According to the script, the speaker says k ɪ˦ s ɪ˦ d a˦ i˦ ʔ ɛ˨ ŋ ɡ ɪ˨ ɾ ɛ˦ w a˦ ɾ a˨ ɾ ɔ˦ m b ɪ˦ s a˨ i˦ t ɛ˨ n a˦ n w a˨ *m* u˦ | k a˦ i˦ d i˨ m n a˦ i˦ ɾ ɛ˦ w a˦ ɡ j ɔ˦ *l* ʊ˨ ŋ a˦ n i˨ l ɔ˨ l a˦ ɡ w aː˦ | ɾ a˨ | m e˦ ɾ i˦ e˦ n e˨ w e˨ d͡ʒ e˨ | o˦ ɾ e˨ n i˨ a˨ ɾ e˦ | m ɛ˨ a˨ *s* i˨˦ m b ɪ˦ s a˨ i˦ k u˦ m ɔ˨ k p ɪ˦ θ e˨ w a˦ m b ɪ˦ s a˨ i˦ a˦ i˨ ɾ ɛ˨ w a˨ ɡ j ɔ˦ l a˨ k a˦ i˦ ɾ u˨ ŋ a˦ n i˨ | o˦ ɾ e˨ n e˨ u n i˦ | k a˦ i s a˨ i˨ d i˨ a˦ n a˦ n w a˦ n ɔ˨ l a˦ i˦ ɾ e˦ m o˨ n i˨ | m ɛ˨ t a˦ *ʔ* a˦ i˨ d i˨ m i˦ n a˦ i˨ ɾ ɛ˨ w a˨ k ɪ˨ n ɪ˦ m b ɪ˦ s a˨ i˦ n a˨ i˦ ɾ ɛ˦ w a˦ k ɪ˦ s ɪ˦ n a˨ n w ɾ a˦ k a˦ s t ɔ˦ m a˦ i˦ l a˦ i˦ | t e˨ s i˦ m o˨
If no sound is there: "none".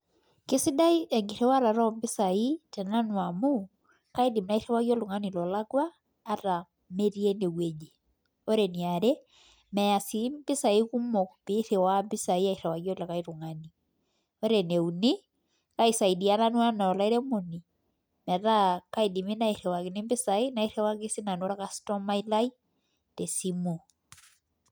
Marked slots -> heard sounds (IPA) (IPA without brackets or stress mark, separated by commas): m, l, s, k